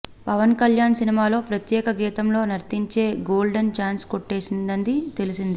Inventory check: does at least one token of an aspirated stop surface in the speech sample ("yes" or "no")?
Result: no